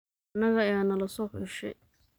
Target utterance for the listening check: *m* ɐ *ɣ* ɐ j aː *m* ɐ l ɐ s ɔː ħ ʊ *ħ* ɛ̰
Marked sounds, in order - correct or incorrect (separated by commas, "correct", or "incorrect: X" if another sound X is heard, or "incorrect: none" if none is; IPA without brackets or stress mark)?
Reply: incorrect: n, correct, incorrect: n, incorrect: ʃ